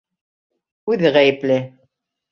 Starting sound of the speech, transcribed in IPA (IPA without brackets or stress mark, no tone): ʉ